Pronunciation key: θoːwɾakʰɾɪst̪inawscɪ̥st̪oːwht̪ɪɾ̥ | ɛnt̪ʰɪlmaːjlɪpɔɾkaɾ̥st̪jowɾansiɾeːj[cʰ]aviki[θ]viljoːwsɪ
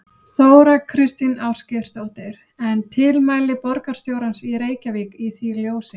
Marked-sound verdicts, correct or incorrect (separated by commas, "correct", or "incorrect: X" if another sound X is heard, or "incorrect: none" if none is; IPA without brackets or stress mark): incorrect: c, correct